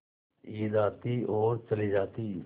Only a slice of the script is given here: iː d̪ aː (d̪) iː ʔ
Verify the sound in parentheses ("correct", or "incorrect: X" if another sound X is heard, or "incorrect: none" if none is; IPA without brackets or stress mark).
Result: incorrect: t̪